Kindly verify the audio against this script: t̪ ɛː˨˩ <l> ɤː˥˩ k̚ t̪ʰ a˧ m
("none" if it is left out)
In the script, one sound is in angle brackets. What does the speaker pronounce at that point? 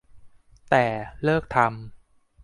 l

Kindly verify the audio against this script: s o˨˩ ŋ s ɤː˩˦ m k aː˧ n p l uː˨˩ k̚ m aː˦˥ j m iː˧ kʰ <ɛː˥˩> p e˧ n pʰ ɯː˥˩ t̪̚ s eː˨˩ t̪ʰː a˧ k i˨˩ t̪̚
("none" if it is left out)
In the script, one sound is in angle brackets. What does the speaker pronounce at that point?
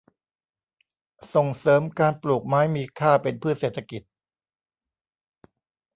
aː˥˩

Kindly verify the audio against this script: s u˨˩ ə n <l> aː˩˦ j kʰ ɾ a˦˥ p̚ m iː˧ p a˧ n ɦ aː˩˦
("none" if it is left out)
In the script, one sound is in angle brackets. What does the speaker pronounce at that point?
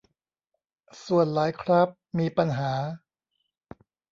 l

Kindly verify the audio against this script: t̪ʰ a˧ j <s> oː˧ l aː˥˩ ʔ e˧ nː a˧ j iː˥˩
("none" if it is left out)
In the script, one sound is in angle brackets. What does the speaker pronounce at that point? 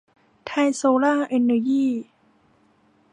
s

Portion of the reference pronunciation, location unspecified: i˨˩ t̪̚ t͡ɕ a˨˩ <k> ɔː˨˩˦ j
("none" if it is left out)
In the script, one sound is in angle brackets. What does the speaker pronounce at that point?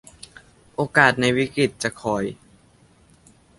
kʰ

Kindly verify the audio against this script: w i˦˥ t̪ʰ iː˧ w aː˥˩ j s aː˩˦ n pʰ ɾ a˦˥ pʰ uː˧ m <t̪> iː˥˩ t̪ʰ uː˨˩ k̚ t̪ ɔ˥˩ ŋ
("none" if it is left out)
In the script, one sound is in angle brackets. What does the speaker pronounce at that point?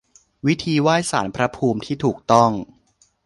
t̪ʰ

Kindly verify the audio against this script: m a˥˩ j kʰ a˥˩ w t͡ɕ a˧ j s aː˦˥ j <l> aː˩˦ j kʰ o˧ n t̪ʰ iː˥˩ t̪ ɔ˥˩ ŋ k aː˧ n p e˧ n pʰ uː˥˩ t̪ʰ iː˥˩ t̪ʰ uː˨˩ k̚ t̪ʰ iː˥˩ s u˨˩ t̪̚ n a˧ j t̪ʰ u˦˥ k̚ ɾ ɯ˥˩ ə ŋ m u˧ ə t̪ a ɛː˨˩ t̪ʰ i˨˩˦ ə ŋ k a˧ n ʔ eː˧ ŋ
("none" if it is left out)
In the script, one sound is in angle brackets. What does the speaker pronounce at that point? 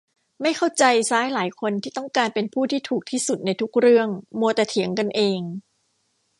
l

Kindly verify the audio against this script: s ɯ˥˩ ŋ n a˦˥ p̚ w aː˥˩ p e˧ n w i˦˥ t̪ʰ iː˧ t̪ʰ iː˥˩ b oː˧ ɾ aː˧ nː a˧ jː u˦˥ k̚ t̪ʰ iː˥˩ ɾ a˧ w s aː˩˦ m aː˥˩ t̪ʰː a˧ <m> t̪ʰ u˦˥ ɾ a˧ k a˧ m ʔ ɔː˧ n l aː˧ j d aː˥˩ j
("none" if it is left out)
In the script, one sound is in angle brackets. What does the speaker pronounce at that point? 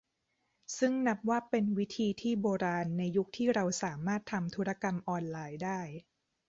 m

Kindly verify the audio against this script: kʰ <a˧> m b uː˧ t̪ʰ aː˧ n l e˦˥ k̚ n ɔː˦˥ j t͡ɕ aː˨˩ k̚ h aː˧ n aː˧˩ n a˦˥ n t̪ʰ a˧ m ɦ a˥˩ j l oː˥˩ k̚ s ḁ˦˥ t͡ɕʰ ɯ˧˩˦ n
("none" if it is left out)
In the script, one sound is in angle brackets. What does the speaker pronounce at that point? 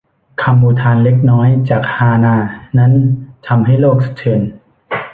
a˧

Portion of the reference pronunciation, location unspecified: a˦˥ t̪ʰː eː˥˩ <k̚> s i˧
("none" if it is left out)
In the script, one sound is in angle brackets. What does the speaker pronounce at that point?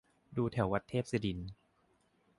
p̚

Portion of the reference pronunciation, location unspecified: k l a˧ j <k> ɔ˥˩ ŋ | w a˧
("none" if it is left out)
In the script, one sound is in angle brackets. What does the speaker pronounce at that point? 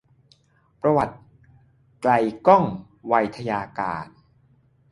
k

